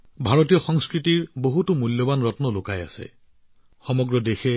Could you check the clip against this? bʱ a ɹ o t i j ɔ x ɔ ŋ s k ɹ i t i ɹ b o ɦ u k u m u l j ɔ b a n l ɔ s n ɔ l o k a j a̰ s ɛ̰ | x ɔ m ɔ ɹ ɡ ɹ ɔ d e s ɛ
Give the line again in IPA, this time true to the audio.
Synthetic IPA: bʱ a ɹ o t i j ɔ x ɔ ŋ s k ɹ i t i ɹ b o ɦ u t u m u l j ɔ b a n ɹ ɔ t n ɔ l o k a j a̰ s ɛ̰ | x ɔ m ɔ ɡ ɹ ɔ d e x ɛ